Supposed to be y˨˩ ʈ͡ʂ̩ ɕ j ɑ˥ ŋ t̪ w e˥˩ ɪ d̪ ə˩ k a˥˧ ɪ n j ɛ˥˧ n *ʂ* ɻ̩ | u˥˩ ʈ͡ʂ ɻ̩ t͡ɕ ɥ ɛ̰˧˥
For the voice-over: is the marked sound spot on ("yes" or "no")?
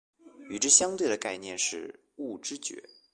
yes